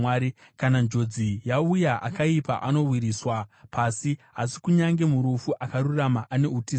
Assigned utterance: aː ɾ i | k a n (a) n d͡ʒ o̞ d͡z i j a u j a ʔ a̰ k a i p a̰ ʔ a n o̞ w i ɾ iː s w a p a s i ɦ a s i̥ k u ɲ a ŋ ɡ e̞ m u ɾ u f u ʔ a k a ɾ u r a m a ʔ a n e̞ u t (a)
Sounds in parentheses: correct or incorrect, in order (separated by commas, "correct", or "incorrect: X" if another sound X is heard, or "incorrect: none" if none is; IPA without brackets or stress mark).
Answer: correct, incorrect: i